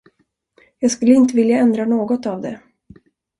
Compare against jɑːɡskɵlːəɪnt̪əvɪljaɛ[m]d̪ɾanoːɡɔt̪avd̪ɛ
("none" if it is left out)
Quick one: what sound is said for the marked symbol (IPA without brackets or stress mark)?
n